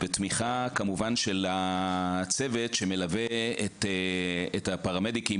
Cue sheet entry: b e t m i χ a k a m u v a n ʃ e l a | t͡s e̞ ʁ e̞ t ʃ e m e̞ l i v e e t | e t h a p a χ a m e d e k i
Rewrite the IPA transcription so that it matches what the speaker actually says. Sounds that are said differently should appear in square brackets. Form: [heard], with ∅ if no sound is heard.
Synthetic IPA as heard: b e t m i χ a k a m u v a n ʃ e l a | t͡s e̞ [v] e̞ t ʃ e m e̞ l [a] v e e t | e t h a p a [ʁ] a m e d [i] k i